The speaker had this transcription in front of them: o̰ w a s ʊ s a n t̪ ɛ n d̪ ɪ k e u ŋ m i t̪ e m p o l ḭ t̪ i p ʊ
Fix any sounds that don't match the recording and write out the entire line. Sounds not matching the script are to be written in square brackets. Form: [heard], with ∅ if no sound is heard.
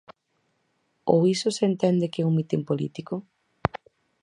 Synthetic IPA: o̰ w [i] s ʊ s [e] n t̪ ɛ n d̪ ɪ k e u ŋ m i t̪ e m p o l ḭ t̪ i [k] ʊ

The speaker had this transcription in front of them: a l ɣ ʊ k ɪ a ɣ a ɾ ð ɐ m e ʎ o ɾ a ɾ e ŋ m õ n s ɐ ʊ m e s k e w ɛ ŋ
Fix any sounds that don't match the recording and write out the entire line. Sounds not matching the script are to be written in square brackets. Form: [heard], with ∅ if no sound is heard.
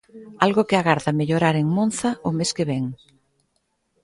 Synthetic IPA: a l ɣ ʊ k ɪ a ɣ a ɾ ð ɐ m e ʎ o ɾ a ɾ e ŋ m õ n [θ] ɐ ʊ m e s k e [β] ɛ ŋ

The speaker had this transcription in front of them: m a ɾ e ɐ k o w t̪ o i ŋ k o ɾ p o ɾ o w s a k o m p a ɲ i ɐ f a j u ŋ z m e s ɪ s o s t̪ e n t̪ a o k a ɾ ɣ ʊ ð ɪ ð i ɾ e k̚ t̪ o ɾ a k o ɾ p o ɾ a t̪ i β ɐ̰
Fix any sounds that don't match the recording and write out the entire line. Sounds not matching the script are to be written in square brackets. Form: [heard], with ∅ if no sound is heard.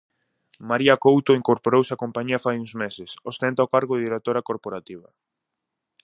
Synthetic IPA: m a ɾ [i] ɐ k o w t̪ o i ŋ k o ɾ p o ɾ o w s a k o m p a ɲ i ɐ f a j u ŋ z m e s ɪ s o s t̪ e n t̪ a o k a ɾ ɣ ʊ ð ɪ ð i ɾ e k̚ t̪ o ɾ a k o ɾ p o ɾ a t̪ i β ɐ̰

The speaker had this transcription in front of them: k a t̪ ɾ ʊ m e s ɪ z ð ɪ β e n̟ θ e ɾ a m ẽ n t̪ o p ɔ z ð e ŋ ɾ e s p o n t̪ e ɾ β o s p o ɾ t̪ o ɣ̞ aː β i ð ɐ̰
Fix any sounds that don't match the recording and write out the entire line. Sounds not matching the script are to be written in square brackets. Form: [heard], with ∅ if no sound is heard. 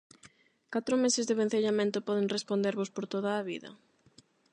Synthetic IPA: k a t̪ ɾ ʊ m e s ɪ z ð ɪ β e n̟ θ e [ʎ] a m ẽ n t̪ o p ɔ [∅] ð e ŋ [r] e s p o n [d̪] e ɾ β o s p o ɾ t̪ o [ð̞] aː β i ð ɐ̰

